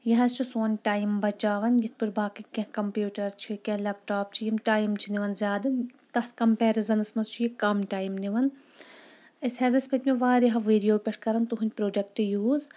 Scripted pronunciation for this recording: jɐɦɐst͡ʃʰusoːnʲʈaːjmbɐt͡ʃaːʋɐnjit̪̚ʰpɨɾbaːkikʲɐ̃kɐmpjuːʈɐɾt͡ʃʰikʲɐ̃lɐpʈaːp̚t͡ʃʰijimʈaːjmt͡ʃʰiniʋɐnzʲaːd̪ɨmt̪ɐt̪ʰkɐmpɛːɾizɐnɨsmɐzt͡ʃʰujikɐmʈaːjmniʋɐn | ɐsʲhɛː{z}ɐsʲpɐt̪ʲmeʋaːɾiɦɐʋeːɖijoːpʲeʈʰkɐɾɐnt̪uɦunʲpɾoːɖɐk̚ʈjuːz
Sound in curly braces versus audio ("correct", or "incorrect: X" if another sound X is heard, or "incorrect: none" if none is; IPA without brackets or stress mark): correct